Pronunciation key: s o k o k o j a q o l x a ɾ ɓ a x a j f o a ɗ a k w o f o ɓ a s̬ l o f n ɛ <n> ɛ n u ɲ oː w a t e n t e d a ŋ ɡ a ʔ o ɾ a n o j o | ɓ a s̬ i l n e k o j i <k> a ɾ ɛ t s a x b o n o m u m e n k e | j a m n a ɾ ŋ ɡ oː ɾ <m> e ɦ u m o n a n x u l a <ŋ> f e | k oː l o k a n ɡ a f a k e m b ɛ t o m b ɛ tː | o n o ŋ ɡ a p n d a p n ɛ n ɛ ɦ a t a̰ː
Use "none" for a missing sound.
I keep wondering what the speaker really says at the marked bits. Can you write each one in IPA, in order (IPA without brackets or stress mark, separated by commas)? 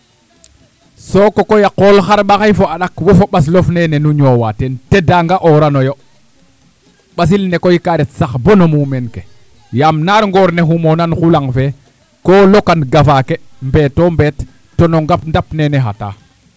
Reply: n, k, n, ŋ